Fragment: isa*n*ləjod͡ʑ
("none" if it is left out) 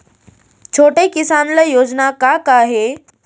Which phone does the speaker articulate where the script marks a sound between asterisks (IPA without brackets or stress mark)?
n